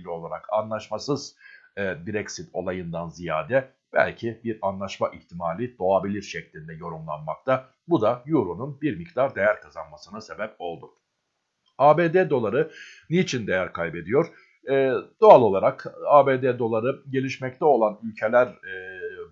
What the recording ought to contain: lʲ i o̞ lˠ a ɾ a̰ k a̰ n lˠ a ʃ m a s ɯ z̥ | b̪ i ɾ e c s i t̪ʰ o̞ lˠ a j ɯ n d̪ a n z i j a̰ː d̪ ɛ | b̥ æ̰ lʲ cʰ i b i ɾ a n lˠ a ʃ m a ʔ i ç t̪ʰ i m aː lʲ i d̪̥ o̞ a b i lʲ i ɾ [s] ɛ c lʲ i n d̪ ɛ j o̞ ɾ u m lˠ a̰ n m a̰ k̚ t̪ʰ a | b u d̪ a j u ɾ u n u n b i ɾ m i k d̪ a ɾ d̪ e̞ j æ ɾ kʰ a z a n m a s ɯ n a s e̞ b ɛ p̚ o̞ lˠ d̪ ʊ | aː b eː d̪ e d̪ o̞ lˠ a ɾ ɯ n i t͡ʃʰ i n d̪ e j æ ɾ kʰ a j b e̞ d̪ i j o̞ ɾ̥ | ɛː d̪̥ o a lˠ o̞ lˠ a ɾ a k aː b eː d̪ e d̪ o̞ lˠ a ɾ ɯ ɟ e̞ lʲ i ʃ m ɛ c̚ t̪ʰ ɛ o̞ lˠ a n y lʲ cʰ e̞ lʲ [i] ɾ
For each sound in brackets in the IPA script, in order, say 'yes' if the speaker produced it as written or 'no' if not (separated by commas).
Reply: no, no